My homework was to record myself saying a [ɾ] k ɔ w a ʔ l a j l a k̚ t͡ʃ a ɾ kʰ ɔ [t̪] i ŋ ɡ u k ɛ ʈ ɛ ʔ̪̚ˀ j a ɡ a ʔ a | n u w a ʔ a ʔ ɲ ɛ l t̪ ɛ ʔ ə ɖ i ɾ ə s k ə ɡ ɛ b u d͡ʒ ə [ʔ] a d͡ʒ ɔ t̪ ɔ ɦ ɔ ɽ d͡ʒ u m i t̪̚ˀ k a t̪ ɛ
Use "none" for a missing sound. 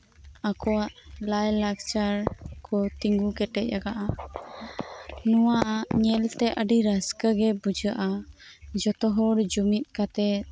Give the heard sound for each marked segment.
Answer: none, t̪, ʔ

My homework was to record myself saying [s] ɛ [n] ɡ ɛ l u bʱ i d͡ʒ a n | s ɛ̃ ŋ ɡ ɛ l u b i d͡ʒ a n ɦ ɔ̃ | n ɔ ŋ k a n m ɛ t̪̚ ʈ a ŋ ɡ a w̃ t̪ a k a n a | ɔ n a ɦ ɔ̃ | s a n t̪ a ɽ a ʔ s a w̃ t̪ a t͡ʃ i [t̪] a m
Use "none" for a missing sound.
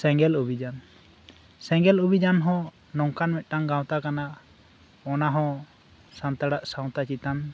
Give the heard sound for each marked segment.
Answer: s, ŋ, t̪

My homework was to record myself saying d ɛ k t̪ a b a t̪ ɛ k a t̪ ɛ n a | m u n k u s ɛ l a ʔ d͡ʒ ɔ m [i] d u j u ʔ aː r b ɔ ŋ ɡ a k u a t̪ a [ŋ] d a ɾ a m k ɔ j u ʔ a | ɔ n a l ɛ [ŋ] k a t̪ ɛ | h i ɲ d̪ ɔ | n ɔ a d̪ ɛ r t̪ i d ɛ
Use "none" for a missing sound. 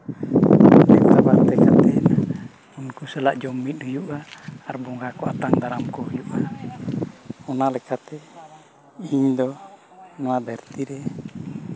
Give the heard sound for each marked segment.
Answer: i, ŋ, none

